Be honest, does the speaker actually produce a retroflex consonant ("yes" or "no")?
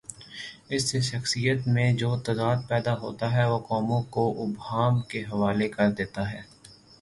no